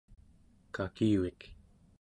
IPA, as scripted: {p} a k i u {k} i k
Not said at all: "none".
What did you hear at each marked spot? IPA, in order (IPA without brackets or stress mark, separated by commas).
k, none